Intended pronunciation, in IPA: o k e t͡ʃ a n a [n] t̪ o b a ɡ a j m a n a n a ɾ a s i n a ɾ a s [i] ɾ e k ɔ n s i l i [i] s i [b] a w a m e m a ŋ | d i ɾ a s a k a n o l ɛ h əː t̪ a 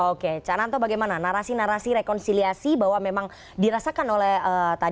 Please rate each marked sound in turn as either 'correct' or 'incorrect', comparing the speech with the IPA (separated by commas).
correct, correct, incorrect, correct